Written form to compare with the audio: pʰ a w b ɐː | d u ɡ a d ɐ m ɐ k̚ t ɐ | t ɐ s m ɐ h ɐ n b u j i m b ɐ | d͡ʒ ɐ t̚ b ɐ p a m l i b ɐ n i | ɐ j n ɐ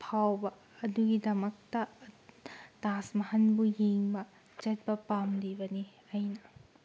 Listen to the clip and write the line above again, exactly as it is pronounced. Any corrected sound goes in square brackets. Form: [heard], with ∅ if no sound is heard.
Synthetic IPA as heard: pʰ a w b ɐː | d u ɡ [i] d ɐ m ɐ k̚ t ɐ | t [a] s m ɐ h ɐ n b u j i [ŋ] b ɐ | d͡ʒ ɐ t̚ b ɐ p a m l i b ɐ n i | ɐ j n ɐ